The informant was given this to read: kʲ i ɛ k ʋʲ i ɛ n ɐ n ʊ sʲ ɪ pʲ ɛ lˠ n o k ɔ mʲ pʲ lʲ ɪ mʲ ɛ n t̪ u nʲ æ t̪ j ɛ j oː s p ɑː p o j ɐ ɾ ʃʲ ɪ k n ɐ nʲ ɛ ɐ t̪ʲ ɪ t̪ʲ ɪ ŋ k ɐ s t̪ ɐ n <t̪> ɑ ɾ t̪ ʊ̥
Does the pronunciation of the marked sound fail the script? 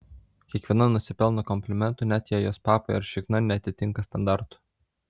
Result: yes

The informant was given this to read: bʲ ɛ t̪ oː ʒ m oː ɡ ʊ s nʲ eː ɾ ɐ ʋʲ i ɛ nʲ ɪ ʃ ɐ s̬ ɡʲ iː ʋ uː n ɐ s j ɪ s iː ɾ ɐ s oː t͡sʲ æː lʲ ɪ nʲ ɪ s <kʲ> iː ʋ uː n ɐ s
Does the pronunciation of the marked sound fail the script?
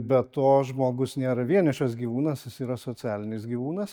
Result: yes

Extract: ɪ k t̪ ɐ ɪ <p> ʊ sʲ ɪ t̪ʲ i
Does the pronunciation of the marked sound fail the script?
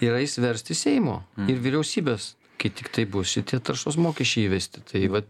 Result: yes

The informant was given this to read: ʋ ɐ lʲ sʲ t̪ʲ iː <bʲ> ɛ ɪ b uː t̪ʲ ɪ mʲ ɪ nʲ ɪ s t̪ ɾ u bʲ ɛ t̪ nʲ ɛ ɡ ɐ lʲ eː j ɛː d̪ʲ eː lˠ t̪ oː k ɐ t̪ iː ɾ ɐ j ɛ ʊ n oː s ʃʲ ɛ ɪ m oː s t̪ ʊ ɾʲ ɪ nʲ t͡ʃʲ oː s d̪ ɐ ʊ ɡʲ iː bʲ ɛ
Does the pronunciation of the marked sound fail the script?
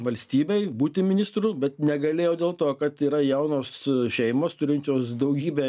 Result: no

